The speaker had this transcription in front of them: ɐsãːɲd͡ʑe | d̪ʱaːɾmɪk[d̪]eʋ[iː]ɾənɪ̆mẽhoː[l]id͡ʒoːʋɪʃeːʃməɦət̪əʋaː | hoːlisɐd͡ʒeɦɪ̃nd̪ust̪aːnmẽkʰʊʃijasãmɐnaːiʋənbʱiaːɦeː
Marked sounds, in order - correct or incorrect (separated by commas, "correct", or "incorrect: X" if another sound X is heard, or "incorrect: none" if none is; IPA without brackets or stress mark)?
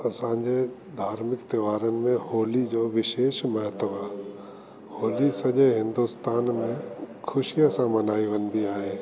incorrect: t̪, incorrect: aː, correct